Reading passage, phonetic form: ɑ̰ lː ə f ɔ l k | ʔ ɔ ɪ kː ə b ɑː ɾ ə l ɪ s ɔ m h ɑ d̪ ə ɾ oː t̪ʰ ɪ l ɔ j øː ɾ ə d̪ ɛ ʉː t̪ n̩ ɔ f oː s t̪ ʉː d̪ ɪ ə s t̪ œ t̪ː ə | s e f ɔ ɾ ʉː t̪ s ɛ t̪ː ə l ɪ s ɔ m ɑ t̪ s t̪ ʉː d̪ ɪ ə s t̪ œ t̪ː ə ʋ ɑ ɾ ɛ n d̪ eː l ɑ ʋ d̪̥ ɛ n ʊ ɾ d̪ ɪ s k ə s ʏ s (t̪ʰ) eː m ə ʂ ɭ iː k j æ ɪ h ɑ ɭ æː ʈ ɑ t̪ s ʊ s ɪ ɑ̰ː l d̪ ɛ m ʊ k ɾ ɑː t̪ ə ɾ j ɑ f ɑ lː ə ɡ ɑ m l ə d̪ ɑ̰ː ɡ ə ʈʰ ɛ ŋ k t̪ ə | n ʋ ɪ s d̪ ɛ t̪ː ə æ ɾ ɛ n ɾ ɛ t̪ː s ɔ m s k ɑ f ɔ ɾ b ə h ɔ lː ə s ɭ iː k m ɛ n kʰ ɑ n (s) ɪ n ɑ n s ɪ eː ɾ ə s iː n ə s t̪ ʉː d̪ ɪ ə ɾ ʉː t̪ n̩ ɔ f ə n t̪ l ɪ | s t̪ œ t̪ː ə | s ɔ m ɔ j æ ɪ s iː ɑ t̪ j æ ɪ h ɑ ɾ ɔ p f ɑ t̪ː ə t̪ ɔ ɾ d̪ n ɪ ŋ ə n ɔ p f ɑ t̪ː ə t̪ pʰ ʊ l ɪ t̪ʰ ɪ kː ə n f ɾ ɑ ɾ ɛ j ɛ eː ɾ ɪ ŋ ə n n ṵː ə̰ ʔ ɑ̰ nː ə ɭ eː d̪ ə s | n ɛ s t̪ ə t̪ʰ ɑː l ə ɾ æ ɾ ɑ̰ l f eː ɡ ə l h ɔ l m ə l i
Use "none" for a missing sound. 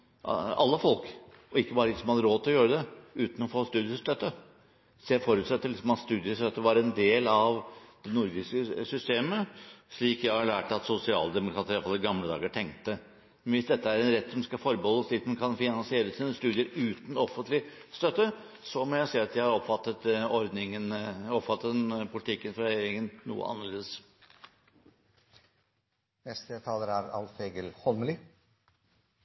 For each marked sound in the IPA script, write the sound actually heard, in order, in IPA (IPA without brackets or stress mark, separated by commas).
t̪, f